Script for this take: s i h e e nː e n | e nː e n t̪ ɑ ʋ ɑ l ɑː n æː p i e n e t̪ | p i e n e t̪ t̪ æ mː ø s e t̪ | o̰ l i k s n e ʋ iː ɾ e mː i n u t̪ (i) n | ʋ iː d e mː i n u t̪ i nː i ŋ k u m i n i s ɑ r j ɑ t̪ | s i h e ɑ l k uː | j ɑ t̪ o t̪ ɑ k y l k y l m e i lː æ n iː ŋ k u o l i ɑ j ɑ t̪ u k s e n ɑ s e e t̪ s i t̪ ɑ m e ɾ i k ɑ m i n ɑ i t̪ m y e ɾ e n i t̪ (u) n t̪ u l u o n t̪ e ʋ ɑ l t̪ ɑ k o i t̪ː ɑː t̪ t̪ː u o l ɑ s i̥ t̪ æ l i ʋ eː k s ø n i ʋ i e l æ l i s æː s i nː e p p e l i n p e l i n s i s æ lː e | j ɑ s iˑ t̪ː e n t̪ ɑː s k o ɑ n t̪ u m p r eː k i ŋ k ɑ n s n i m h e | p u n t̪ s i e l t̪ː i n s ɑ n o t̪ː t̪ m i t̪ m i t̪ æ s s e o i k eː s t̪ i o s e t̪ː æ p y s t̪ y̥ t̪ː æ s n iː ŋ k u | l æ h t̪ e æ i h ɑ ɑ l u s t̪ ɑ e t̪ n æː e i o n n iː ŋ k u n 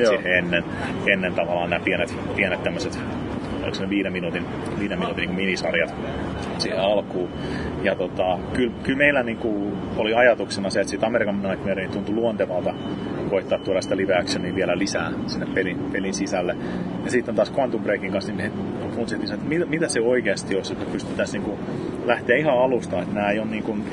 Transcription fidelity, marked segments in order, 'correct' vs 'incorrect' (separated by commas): correct, correct